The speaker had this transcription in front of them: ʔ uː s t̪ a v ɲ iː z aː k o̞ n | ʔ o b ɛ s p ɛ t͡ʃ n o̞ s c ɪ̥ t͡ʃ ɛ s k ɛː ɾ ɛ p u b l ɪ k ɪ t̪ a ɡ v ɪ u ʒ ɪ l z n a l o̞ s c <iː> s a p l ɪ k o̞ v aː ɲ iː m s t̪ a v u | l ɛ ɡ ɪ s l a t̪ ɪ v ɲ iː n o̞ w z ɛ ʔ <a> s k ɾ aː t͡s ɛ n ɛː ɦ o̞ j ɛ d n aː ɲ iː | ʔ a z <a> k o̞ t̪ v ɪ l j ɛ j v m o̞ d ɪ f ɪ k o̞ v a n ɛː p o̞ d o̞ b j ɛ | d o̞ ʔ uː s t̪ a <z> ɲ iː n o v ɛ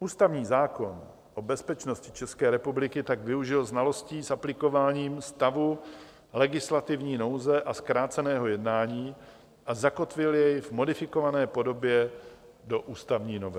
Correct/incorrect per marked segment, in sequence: correct, correct, correct, incorrect

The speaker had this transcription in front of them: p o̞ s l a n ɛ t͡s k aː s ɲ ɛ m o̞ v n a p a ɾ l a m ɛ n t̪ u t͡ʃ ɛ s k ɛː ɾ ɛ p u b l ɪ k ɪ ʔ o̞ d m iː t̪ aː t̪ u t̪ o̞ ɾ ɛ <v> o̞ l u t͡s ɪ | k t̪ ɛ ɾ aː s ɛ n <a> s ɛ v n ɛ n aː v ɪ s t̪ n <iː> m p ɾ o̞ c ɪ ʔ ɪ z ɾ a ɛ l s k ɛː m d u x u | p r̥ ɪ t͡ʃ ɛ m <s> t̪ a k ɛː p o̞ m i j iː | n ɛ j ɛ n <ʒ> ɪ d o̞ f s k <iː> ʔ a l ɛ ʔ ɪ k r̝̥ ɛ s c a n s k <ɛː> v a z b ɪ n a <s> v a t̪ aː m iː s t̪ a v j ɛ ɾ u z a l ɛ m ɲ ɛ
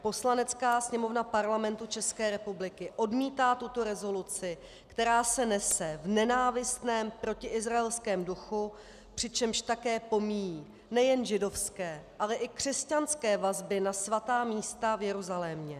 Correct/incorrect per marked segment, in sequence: incorrect, incorrect, incorrect, incorrect, correct, incorrect, correct, correct

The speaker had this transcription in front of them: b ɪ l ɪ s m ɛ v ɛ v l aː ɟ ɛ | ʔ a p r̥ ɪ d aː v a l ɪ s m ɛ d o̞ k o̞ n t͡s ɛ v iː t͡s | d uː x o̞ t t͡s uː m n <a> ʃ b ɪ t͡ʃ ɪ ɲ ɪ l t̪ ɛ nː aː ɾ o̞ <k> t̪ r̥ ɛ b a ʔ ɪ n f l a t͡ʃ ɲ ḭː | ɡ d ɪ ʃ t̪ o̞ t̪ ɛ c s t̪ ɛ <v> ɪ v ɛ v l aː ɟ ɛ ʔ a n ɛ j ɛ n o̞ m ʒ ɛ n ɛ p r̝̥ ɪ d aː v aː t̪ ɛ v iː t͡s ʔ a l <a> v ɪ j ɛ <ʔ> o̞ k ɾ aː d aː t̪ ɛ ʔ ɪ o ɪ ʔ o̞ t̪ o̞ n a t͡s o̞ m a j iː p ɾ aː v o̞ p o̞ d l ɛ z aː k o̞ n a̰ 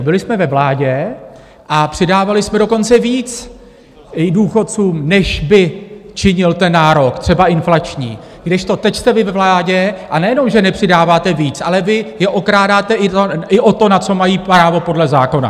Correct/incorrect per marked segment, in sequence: incorrect, correct, correct, incorrect, correct

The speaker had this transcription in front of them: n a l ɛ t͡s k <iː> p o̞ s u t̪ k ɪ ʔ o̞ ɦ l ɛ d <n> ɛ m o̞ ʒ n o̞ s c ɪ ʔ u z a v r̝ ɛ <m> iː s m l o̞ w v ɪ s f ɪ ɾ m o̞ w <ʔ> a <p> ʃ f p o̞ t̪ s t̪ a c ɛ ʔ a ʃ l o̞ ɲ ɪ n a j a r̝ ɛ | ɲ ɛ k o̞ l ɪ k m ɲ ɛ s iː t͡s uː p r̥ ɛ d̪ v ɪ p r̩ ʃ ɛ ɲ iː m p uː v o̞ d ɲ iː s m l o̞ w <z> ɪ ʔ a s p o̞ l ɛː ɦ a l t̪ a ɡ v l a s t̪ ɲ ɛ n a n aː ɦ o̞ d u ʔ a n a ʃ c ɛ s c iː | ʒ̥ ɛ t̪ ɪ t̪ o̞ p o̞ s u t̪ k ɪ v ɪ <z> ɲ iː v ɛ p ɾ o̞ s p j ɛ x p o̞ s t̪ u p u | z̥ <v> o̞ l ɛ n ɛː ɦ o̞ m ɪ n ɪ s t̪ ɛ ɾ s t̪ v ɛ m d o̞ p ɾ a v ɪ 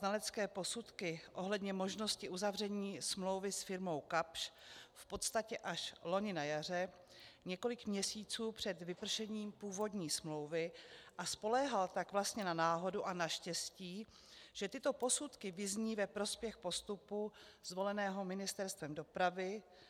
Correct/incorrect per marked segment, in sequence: incorrect, incorrect, incorrect, incorrect, correct, incorrect, correct, correct

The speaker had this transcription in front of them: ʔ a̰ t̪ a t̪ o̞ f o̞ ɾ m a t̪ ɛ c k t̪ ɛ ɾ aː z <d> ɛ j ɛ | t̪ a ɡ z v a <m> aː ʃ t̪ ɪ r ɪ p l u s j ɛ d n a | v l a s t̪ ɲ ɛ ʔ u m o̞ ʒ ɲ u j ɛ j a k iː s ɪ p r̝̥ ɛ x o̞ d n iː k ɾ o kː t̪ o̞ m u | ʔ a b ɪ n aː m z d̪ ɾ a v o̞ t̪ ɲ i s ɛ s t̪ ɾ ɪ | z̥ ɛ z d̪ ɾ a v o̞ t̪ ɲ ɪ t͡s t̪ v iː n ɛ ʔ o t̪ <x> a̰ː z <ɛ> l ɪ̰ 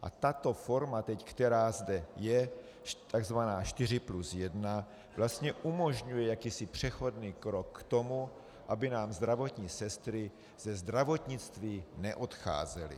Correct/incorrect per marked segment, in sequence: correct, incorrect, correct, correct

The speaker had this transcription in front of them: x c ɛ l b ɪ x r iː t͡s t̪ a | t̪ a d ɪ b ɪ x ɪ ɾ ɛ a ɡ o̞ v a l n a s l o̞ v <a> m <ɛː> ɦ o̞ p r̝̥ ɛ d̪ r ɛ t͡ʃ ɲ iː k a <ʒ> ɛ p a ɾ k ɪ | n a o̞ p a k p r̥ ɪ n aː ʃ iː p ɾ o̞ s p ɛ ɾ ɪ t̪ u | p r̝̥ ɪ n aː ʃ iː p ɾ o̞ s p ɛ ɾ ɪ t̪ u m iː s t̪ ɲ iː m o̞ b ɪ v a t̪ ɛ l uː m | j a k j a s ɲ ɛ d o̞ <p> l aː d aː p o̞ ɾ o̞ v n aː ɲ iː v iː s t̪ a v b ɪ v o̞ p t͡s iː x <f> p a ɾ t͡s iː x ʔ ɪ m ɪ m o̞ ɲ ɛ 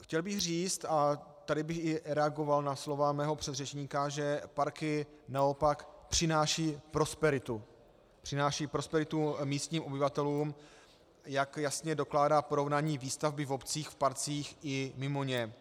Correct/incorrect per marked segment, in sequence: correct, correct, correct, incorrect, correct

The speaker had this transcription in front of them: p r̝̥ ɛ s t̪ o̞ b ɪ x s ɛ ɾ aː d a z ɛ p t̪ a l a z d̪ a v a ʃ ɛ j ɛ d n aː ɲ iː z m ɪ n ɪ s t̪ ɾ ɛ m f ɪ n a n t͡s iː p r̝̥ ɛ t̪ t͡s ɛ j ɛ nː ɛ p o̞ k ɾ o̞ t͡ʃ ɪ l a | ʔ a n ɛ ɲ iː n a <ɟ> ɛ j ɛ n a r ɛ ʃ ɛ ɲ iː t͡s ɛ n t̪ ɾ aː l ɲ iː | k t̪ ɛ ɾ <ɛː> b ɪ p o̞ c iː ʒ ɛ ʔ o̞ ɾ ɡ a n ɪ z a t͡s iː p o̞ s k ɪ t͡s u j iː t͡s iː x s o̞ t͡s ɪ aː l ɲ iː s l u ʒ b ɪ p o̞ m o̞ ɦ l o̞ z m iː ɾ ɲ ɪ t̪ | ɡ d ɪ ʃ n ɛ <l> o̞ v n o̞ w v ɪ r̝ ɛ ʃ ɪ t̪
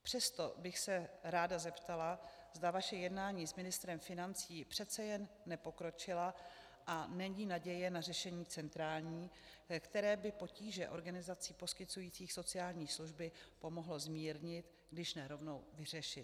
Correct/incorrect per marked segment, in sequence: correct, correct, incorrect

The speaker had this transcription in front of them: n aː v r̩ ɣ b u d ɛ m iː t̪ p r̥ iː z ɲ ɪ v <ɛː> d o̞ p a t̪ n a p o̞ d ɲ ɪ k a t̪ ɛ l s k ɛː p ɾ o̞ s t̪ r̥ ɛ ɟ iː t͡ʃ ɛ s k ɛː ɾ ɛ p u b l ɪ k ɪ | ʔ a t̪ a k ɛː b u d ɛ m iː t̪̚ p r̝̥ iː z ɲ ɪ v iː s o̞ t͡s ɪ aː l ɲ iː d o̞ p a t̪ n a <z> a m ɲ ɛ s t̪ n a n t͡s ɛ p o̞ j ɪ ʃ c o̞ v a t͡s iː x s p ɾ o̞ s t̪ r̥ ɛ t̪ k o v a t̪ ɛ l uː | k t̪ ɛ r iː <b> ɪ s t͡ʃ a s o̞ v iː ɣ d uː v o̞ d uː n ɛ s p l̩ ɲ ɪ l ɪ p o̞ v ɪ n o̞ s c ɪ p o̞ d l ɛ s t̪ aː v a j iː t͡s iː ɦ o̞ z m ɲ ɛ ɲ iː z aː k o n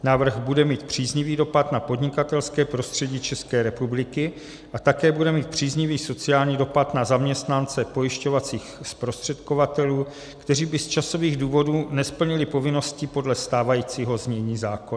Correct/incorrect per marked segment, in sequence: incorrect, correct, correct

